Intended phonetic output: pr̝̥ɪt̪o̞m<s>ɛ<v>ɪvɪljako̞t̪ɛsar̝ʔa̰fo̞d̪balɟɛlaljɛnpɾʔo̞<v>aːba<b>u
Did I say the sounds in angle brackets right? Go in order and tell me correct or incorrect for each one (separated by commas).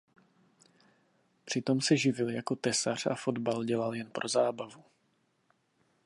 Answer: correct, incorrect, incorrect, incorrect